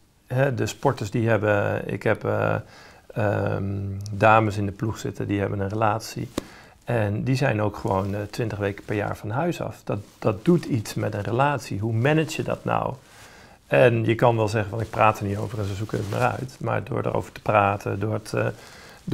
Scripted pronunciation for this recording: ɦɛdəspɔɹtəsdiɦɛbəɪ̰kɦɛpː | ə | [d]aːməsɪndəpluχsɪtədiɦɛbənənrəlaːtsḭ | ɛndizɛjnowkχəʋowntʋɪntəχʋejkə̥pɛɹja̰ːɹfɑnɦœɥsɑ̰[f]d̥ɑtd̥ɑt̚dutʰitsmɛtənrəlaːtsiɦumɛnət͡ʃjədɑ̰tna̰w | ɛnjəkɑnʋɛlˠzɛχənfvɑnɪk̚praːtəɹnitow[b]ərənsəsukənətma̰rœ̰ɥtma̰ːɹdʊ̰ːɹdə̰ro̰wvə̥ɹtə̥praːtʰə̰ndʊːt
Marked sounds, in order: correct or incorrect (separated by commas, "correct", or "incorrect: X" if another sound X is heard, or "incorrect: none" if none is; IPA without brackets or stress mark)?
correct, correct, incorrect: v